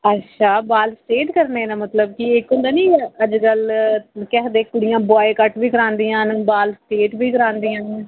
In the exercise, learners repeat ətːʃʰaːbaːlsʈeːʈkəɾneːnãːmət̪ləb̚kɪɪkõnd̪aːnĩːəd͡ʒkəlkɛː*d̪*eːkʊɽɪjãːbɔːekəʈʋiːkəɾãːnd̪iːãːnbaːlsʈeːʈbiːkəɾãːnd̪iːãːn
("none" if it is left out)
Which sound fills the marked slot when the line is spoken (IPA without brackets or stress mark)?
d̪